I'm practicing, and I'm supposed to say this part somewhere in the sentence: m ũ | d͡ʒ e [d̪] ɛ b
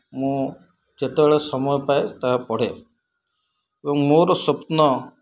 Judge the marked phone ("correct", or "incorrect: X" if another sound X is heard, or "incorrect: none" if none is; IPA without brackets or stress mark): incorrect: t̪